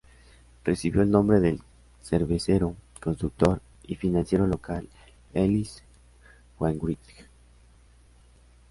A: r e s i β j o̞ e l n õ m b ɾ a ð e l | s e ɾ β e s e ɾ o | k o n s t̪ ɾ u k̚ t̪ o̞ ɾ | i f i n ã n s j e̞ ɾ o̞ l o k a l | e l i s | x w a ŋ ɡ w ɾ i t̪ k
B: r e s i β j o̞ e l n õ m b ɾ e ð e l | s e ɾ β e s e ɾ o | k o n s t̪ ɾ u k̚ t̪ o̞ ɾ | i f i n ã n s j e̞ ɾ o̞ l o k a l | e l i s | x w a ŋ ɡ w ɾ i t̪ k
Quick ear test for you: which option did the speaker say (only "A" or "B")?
B